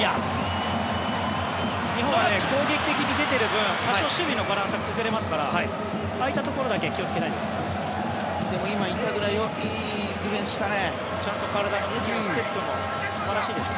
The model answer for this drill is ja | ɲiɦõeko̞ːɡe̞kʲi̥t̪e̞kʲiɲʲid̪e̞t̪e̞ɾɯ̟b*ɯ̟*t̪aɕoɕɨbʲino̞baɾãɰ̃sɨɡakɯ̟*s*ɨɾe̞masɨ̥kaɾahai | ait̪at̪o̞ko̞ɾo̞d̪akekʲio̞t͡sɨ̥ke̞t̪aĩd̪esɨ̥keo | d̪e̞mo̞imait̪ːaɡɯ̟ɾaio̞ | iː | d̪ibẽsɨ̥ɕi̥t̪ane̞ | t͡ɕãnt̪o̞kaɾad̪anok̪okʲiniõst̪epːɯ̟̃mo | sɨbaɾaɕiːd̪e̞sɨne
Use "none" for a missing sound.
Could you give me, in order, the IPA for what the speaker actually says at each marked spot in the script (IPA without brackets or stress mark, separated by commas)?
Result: ɯ̟̃, z